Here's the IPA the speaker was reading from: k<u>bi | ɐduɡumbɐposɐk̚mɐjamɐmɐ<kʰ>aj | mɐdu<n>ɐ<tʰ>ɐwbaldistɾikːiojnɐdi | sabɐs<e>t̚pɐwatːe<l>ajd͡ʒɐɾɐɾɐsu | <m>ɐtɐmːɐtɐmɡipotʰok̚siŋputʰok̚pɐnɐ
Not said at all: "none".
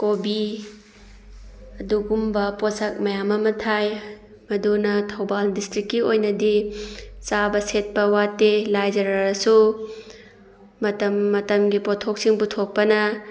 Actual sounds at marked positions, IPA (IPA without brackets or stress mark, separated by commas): o, tʰ, n, tʰ, e, l, m